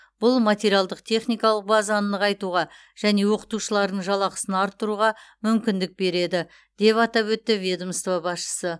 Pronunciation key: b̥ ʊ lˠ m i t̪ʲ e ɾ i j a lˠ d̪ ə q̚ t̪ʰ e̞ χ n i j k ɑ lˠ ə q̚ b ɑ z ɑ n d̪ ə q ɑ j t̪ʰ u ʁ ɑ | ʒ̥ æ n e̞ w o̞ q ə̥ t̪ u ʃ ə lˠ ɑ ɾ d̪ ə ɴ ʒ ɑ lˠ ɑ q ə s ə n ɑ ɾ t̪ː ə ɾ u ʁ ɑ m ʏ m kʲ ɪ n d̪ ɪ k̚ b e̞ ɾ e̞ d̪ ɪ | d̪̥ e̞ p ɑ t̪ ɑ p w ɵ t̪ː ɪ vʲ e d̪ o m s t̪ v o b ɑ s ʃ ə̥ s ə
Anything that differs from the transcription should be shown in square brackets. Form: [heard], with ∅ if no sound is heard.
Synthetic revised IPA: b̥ ʊ lˠ m [a] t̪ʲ e ɾ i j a lˠ d̪ ə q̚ t̪ʰ e̞ χ n i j k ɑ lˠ ə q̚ b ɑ z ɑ n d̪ ə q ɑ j [t̪] u ʁ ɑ | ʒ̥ æ n e̞ w o̞ q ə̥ t̪ u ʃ ə lˠ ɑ ɾ d̪ ə ɴ ʒ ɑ lˠ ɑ q ə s ə n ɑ ɾ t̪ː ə ɾ u ʁ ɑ m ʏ m kʲ ɪ n d̪ ɪ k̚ b e̞ ɾ e̞ d̪ ɪ | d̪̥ e̞ p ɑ t̪ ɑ p w ɵ t̪ː ɪ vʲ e d̪ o m s t̪ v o b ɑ s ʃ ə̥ s ə